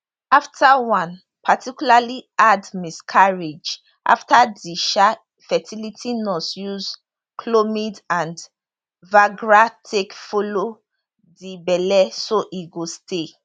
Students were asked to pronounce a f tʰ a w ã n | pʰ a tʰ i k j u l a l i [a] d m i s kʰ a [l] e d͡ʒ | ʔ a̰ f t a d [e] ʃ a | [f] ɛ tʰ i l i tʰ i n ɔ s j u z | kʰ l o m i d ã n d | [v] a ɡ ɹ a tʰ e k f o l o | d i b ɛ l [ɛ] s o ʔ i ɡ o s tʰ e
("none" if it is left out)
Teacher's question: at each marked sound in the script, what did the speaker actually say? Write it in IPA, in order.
a, ɹ, i, f, v, ɛ

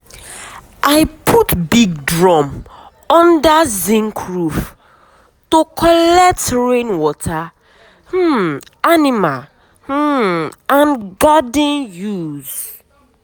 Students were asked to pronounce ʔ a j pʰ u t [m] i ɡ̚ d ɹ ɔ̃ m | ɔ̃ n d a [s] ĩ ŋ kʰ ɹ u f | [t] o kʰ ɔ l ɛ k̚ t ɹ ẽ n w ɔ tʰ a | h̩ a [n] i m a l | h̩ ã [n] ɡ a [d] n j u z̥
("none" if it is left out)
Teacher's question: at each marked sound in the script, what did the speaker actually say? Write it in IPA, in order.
b, z, t, n, n, d

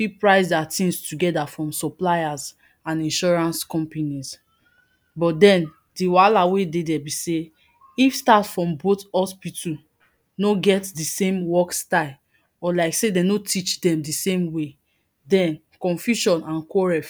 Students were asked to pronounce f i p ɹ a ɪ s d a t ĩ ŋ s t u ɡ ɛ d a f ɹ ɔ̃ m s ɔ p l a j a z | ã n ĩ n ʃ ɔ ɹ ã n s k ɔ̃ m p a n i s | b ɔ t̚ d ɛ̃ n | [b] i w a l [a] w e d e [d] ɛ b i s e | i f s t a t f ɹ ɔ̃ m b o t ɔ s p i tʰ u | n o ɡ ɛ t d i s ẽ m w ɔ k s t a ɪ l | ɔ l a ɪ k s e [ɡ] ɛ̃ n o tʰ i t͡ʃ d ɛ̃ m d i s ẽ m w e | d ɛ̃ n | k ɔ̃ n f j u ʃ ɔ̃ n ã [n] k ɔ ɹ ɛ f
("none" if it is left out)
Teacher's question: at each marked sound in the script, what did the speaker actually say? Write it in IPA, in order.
d, a, d, d, n

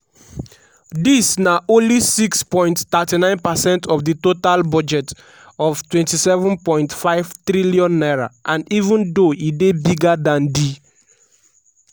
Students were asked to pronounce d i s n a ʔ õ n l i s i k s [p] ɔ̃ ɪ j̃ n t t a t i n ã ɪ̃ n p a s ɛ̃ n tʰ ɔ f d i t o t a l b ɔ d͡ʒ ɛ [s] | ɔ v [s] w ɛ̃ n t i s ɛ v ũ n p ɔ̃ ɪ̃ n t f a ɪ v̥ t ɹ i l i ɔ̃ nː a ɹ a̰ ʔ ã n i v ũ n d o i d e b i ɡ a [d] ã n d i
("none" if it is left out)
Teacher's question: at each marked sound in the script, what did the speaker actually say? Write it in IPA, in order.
p, t, t, d

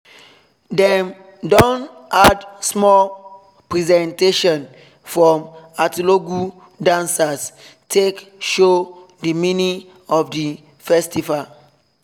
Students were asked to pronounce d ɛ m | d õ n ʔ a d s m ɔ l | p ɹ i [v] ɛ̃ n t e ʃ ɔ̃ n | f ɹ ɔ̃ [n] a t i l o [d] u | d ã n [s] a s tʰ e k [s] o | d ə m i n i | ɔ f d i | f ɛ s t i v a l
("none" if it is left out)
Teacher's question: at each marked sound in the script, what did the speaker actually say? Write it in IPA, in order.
z, m, ɡ, s, ʃ

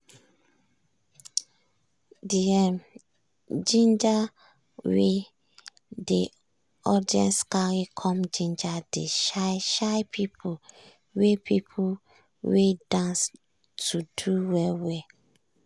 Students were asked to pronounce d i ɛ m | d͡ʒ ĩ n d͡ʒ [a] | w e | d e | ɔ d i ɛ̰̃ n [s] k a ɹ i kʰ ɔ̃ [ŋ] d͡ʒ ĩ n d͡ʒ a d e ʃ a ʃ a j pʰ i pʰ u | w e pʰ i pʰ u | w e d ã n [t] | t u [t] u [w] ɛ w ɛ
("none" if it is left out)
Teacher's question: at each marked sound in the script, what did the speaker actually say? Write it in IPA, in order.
a, s, m, s, d, w

